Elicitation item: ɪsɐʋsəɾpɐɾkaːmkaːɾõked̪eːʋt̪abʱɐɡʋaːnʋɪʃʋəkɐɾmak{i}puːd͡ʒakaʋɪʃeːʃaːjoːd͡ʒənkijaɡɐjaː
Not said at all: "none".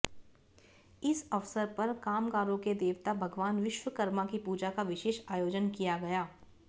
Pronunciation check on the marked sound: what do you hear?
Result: i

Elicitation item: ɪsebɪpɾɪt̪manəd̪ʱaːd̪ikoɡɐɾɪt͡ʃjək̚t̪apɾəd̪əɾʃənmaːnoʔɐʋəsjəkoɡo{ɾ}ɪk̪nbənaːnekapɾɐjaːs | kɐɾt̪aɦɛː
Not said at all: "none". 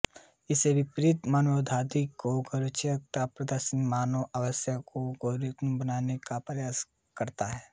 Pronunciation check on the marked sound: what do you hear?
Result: ɾ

